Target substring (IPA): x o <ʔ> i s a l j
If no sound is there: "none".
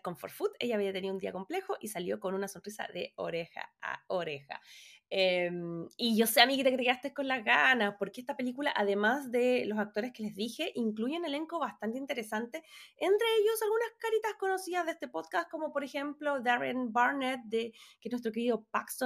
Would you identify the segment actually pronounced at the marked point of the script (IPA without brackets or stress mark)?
ʔ